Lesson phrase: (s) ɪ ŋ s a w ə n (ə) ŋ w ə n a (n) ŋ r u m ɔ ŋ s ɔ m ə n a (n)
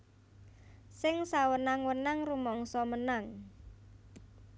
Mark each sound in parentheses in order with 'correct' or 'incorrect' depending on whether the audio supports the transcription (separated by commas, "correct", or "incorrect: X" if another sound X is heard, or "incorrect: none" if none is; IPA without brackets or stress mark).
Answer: correct, incorrect: a, incorrect: none, incorrect: ŋ